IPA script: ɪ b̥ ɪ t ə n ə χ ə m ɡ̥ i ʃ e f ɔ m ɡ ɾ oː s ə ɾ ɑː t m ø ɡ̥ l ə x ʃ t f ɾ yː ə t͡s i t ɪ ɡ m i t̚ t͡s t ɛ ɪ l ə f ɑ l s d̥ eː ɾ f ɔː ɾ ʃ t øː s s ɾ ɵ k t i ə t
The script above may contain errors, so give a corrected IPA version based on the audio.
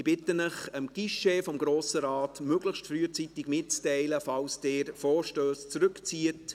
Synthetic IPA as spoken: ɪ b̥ ɪ t ə n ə χ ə m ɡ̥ i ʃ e f ɔ m ɡ ɾ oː s ə ɾ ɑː t m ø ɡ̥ l ə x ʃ t f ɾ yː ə t͡s i t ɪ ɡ m ɪ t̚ t͡s t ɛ ɪ l ə f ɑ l s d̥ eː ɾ f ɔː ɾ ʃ t øː s t͡s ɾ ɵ k t͡s i ə t